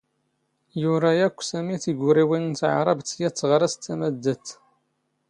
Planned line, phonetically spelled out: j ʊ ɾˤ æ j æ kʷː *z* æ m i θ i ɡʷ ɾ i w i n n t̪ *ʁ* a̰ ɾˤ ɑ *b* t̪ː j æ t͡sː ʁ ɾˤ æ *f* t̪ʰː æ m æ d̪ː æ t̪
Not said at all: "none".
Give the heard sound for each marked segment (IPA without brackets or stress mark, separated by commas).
s, ʕ, b, s